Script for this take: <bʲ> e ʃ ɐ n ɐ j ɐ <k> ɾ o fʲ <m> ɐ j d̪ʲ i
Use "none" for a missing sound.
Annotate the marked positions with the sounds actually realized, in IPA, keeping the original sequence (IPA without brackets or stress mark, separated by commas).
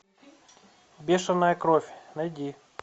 bʲ, k, n